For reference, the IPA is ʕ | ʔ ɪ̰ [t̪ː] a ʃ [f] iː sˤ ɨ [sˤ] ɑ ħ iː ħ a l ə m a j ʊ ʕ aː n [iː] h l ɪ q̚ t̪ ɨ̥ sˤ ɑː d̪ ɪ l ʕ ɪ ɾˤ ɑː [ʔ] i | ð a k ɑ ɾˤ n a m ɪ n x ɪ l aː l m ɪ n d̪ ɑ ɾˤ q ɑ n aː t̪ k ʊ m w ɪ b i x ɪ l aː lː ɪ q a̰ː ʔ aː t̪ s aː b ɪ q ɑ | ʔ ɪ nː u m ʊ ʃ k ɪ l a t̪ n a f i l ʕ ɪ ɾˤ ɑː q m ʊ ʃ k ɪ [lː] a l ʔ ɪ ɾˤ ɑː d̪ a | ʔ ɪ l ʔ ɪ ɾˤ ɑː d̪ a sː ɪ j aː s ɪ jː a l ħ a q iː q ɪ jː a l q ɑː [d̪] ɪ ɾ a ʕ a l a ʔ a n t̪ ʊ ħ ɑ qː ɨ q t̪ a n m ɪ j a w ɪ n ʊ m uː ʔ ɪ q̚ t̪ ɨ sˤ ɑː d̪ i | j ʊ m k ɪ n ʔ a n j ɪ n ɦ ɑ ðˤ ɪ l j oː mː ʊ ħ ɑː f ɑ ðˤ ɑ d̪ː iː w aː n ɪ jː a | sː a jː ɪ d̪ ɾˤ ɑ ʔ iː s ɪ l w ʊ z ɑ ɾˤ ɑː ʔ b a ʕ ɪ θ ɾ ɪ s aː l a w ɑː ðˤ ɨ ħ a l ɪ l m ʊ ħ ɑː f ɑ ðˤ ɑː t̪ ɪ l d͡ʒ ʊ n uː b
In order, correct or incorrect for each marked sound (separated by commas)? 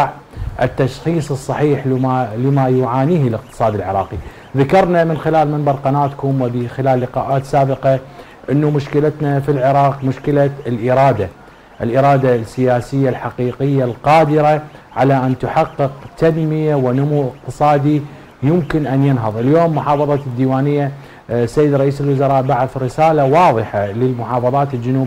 correct, incorrect, incorrect, correct, incorrect, incorrect, correct